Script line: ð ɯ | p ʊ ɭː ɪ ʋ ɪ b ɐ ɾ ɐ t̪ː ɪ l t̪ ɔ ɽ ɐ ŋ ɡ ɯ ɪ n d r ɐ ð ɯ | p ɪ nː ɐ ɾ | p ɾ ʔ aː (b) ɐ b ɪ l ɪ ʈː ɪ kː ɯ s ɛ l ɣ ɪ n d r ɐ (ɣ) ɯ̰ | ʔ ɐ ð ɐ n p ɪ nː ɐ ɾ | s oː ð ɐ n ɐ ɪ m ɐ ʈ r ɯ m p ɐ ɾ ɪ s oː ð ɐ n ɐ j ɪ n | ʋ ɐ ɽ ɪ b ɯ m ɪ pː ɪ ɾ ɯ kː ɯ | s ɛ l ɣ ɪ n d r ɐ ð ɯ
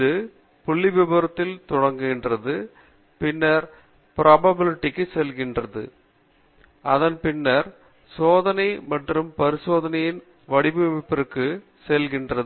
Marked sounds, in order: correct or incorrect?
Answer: correct, incorrect

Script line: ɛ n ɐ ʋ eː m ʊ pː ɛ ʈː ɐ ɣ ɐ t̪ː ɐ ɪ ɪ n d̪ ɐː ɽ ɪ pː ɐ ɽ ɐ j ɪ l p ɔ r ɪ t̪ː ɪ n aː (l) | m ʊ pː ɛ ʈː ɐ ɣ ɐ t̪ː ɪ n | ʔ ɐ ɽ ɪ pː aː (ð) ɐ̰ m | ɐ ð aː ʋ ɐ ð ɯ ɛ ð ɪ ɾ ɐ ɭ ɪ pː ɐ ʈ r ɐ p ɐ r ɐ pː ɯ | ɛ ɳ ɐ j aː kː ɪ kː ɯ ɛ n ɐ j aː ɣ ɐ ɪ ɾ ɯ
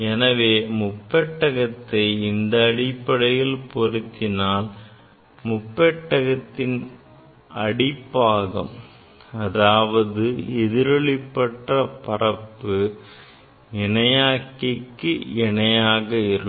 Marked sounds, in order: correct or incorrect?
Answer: correct, incorrect

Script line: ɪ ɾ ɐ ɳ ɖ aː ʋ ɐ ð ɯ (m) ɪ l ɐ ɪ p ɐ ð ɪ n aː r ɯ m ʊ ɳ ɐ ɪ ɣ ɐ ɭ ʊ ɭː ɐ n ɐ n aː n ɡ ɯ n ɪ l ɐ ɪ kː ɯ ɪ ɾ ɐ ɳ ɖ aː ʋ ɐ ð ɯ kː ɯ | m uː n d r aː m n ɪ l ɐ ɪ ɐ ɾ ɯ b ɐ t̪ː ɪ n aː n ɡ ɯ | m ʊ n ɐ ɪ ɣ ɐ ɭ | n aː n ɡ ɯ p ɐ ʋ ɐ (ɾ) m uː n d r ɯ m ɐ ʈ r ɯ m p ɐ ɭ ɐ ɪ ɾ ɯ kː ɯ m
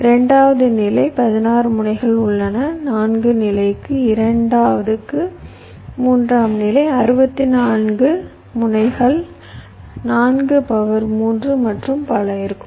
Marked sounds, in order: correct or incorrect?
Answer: incorrect, correct

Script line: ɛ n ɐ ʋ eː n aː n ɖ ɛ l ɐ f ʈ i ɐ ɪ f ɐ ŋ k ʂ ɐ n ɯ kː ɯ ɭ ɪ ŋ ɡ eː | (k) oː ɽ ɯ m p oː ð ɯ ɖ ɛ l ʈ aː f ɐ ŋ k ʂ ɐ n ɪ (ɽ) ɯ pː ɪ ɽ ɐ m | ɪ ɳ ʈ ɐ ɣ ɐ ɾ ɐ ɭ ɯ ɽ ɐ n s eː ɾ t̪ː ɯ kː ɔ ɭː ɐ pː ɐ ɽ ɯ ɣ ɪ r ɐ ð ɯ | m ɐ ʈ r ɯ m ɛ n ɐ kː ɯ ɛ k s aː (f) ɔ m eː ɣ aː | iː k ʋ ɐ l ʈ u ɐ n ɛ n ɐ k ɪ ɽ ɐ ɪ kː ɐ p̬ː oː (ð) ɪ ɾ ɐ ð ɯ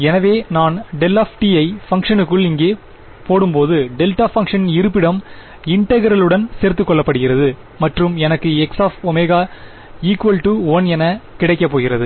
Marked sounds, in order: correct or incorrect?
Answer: incorrect, incorrect, correct, incorrect

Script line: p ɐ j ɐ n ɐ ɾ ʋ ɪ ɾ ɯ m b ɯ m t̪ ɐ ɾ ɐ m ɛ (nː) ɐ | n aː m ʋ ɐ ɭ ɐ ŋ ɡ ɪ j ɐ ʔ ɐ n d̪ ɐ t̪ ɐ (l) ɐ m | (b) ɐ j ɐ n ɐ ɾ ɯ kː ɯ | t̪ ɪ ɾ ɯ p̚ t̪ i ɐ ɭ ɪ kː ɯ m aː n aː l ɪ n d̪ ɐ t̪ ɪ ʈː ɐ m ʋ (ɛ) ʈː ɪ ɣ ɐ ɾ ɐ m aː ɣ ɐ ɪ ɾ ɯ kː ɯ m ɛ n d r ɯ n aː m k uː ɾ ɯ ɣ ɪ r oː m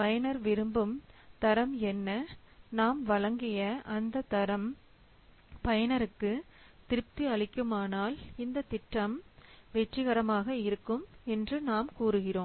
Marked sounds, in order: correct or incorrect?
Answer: correct, incorrect, incorrect, correct

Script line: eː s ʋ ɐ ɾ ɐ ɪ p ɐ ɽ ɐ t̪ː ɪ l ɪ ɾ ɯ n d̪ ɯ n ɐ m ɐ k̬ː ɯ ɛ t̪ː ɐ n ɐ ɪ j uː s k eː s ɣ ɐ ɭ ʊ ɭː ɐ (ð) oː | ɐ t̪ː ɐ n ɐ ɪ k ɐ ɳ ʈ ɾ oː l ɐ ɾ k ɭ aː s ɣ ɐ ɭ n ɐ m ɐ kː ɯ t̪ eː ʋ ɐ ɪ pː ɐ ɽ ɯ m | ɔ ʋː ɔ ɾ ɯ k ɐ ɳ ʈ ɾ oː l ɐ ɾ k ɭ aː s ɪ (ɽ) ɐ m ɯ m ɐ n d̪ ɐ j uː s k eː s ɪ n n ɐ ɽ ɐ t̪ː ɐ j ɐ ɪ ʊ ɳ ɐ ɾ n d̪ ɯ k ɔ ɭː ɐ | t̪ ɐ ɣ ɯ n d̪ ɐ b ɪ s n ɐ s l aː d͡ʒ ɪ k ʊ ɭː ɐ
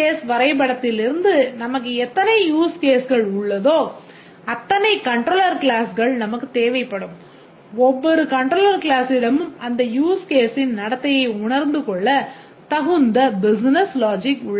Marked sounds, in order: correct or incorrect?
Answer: correct, correct

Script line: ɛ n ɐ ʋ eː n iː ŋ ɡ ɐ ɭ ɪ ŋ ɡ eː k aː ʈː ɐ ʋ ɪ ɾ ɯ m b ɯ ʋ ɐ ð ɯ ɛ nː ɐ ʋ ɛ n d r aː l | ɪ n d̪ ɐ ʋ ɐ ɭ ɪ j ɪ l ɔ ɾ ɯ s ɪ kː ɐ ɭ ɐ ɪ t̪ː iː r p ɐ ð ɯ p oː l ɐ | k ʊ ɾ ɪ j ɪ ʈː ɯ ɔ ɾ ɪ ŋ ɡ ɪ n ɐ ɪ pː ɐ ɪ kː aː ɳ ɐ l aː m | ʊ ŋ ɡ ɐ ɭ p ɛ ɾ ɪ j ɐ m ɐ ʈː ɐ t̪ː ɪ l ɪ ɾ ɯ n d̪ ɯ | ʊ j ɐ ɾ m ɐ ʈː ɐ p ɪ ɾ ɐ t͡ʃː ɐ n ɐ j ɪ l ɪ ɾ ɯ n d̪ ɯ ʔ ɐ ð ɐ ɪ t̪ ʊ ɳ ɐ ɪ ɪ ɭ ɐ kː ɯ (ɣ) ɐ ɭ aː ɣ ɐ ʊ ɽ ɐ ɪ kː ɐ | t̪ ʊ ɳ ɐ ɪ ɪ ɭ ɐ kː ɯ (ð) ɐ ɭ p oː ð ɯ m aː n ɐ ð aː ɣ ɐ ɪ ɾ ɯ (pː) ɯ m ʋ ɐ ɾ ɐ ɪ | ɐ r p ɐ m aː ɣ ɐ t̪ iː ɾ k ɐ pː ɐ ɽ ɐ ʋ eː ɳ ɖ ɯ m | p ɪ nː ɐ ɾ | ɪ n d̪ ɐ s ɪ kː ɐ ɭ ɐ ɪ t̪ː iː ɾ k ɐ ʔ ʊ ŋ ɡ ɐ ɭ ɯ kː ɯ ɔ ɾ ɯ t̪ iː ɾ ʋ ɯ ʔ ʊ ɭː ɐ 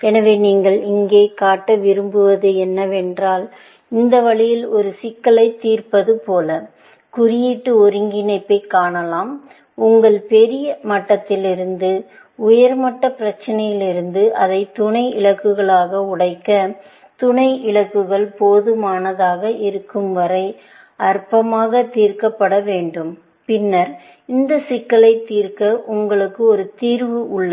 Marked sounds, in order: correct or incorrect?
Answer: correct, incorrect, incorrect

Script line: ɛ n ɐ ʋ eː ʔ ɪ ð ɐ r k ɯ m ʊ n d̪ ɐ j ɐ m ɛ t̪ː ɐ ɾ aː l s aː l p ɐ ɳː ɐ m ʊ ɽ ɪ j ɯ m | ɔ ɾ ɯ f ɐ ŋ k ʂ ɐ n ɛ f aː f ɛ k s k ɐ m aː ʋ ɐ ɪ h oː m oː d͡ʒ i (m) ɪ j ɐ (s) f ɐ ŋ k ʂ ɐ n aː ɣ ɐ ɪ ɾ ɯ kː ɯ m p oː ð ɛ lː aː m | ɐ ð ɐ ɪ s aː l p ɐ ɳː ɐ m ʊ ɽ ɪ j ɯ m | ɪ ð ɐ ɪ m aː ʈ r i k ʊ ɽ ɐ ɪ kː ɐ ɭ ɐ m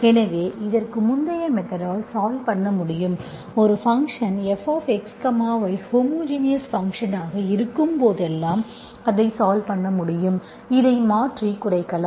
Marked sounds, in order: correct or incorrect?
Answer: incorrect, correct

